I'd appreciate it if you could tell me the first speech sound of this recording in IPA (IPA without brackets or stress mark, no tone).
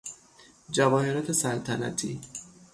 d͡ʒ